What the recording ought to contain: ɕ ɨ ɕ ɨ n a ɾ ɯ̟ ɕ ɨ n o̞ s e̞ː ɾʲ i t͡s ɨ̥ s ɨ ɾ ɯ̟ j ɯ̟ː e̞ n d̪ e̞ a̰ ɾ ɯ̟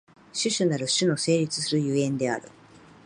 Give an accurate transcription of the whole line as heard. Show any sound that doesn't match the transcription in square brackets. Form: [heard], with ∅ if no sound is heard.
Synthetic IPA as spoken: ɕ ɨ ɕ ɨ n a ɾ ɯ̟ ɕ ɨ n o̞ s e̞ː ɾʲ i t͡s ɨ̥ s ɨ ɾ ɯ̟ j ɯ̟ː [ẽ̞] n d̪ e̞ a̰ ɾ ɯ̟